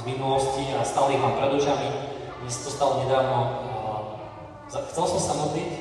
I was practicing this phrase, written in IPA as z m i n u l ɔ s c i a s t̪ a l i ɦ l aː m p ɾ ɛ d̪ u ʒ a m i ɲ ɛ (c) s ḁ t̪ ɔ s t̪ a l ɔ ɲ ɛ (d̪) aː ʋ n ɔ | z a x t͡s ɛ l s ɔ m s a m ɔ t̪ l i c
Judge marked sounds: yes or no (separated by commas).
no, yes